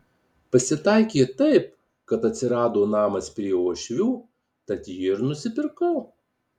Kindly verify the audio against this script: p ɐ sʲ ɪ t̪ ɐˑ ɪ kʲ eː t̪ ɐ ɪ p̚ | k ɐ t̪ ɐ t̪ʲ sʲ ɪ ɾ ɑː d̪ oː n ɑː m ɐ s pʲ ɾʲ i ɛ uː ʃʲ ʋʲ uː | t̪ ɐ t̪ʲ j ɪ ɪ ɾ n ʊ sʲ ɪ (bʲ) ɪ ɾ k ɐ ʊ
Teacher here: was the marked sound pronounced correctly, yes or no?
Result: no